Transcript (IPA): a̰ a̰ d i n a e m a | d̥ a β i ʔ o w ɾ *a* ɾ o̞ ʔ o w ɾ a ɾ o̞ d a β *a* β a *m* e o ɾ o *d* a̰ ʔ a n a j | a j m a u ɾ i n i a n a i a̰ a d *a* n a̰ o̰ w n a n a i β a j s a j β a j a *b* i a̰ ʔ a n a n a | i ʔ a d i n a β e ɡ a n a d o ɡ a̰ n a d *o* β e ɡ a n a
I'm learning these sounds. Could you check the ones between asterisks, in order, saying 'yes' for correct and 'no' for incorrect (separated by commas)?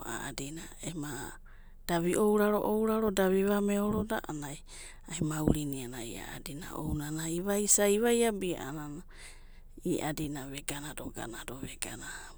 yes, no, yes, yes, no, yes, yes